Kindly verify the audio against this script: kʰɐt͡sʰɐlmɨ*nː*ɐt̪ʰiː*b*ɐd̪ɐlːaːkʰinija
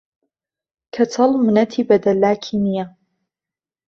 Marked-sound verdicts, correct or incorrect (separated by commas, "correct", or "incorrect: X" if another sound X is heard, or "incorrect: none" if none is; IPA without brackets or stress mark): incorrect: n, correct